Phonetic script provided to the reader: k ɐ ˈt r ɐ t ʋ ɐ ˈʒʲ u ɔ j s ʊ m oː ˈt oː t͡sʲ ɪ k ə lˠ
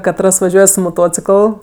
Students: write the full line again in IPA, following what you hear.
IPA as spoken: k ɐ ˈt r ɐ s ʋ ɐ ˈʒʲ u ɔ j s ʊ m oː ˈt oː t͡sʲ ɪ k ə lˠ